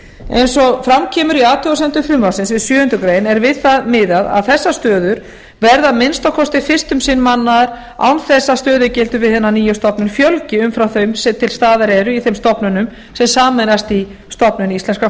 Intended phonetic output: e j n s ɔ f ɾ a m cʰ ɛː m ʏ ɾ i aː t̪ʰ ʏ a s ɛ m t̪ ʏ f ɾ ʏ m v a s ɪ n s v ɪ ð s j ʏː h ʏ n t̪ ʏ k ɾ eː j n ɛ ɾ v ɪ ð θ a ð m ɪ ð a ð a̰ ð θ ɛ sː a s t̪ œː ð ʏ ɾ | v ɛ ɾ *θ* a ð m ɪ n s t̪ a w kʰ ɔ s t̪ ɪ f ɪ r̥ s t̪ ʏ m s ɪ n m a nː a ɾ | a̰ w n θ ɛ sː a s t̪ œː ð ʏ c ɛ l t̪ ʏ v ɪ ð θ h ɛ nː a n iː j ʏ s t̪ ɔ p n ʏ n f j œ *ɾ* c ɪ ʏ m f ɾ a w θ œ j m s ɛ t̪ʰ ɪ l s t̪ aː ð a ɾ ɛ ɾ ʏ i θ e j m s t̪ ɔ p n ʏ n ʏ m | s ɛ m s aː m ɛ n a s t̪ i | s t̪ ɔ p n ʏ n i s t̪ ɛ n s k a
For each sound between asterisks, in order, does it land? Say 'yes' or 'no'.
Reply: no, no

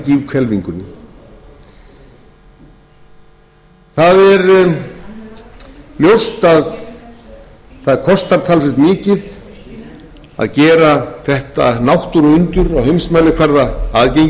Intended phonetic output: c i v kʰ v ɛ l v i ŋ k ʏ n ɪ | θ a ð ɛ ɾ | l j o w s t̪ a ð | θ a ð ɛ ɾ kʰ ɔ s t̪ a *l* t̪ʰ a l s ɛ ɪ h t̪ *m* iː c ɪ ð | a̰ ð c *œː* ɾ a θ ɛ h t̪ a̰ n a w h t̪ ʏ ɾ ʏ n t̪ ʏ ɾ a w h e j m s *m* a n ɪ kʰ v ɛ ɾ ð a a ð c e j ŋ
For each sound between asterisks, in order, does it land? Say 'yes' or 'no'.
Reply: no, yes, no, yes

